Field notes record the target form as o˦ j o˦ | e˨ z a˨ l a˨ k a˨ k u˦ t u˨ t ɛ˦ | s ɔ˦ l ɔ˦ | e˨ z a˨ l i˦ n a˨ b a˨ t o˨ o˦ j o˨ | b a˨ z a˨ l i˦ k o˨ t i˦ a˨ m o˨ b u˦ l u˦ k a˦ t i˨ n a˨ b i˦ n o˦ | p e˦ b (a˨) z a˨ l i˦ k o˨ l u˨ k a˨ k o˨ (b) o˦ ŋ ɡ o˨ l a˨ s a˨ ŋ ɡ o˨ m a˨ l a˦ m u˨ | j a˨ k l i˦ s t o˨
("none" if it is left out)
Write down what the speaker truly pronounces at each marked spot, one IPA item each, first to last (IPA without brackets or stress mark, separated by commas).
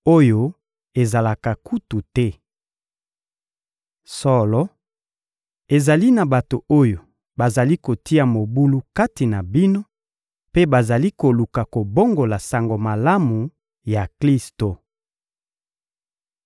a˨, b